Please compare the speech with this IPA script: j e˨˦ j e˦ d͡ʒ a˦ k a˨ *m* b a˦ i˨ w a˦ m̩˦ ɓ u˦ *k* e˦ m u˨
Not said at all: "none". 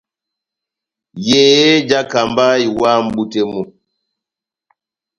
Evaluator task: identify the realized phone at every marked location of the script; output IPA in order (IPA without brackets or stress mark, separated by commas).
m, t